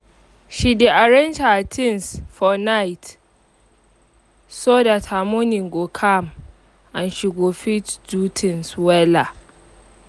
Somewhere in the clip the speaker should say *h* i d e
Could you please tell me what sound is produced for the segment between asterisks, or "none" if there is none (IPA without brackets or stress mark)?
ʃ